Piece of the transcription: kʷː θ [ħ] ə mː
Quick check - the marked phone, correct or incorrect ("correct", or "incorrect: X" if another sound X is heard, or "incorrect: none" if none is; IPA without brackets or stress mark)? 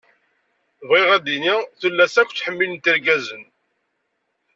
correct